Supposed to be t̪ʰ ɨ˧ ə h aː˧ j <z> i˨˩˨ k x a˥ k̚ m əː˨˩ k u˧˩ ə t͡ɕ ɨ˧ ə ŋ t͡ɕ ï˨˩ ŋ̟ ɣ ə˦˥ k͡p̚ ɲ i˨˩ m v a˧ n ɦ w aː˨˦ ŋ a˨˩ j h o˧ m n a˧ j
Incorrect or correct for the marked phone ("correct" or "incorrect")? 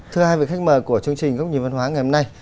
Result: incorrect